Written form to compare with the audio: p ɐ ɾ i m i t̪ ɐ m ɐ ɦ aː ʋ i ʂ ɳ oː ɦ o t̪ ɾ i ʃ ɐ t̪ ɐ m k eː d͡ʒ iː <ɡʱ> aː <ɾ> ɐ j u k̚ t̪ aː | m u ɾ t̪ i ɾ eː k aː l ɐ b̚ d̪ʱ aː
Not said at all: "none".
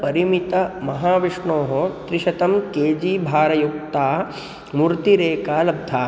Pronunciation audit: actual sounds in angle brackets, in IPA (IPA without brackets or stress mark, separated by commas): bʱ, ɾ